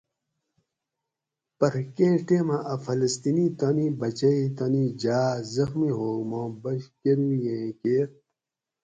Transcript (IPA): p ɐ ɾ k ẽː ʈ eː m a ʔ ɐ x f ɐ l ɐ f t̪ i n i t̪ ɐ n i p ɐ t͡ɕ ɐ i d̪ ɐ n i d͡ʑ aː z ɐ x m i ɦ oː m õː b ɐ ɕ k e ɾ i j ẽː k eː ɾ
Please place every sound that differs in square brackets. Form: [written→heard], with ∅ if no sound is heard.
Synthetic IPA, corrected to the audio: p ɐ ɾ k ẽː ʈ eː m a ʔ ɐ [x→∅] f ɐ l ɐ [f→s] t̪ i n i t̪ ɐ n i [p→b] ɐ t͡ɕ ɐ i [d̪→t̪] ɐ n i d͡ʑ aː z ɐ x m i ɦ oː m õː b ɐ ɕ k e ɾ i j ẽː k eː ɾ